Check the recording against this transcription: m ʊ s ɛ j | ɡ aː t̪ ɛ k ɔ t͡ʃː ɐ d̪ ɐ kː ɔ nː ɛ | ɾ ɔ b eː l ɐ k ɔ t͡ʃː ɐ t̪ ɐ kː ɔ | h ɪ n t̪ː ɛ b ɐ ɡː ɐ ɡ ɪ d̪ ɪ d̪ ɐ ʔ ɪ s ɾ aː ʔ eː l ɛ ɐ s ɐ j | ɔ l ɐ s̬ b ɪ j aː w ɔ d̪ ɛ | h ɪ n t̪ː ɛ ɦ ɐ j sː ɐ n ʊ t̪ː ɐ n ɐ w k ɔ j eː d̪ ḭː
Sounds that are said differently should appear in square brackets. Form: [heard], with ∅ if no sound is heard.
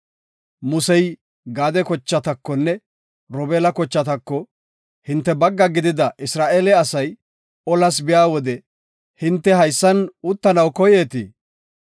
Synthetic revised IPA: m ʊ s ɛ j | ɡ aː [d̪] ɛ k ɔ t͡ʃː ɐ [t̪] ɐ kː ɔ nː ɛ | ɾ ɔ b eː l ɐ k ɔ t͡ʃː ɐ t̪ ɐ kː ɔ | h ɪ n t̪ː ɛ b ɐ ɡː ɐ ɡ ɪ d̪ ɪ d̪ ɐ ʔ ɪ s ɾ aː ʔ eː l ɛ ɐ s ɐ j | ɔ l ɐ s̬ b ɪ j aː w ɔ d̪ ɛ | h ɪ n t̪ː ɛ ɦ ɐ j sː ɐ n ʊ t̪ː ɐ n ɐ w k ɔ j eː [t̪] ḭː